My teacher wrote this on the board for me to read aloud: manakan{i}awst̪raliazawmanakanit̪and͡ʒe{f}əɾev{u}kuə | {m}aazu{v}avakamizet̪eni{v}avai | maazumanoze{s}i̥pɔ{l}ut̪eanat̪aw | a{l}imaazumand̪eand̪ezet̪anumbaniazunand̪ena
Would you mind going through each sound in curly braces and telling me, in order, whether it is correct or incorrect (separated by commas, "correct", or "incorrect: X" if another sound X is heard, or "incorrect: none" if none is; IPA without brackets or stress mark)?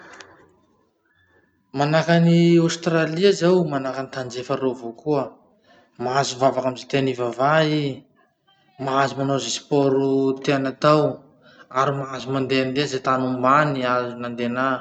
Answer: correct, correct, incorrect: o, correct, correct, correct, correct, incorrect: ɾ, incorrect: ɾ